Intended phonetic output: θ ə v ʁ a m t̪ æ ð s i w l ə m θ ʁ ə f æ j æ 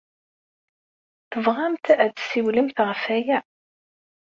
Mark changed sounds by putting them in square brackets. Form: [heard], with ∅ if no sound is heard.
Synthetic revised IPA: θ ə v ʁ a m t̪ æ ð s i w l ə m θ ʁ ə f æ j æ